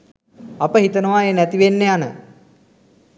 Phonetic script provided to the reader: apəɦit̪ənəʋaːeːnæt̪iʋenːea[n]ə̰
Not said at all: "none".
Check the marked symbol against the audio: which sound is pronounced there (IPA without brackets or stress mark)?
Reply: n